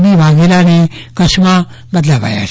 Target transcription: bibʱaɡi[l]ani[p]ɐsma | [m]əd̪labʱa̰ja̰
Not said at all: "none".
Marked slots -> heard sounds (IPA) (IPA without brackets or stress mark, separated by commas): l, k, b